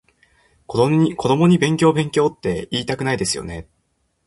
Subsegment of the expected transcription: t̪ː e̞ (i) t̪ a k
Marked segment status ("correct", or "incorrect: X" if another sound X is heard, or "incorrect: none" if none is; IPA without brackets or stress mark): incorrect: iː